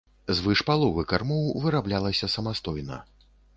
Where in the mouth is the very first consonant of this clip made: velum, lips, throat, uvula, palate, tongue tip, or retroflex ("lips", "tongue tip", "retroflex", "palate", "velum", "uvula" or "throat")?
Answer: tongue tip